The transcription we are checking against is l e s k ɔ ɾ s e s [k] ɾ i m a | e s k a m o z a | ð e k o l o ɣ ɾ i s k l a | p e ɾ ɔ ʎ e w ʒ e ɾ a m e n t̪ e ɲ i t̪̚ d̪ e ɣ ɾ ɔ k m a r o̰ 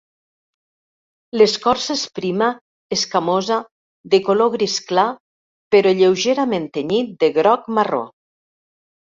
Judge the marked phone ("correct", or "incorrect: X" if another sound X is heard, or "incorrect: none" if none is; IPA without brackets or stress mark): incorrect: p